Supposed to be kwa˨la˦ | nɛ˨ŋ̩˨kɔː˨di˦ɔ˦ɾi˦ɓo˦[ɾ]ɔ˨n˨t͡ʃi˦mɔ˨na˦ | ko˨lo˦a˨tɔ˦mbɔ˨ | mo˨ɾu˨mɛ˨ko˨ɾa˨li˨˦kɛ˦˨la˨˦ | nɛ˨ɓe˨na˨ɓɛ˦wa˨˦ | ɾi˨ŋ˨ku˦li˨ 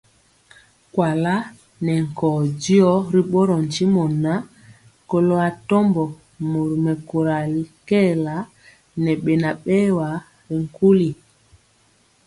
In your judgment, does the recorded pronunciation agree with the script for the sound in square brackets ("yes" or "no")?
yes